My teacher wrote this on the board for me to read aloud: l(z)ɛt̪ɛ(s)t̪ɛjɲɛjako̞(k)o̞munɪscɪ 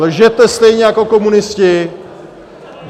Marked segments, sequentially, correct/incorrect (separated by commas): incorrect, correct, correct